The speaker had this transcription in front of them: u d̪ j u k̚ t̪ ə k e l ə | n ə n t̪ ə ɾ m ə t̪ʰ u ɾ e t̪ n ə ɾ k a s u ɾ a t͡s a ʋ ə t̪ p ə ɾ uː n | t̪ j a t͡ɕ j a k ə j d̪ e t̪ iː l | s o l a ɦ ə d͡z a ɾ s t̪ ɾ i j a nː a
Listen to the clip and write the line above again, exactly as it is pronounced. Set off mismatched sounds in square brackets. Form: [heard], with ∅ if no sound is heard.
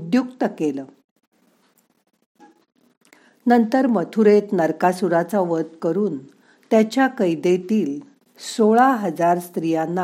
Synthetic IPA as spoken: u d̪ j u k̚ t̪ ə k e l ə | n ə n t̪ ə ɾ m ə t̪ʰ u ɾ e t̪ n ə ɾ k a s u ɾ a t͡s a ʋ ə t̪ [k] ə ɾ uː n | t̪ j a t͡ɕ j a k ə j d̪ e t̪ iː l | s o [ɭ] a ɦ ə d͡z a ɾ s t̪ ɾ i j a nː a